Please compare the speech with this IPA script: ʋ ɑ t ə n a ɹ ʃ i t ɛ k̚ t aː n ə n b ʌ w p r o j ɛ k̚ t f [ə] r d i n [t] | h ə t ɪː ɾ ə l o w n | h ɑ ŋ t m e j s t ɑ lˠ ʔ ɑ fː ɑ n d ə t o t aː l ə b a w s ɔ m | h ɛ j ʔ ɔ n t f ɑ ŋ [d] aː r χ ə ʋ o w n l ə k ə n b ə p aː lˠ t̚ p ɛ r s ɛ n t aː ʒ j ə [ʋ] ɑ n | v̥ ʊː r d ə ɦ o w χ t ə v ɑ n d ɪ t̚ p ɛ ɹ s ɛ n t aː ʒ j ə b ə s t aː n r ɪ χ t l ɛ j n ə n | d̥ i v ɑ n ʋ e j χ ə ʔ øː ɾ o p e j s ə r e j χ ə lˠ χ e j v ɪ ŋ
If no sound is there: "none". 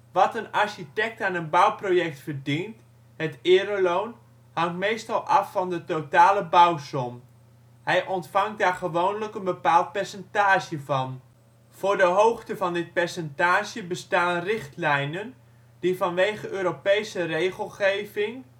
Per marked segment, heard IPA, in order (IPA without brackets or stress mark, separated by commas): ə, t, d, v